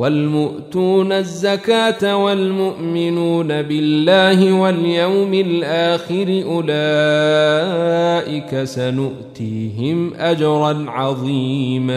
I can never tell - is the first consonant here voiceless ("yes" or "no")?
no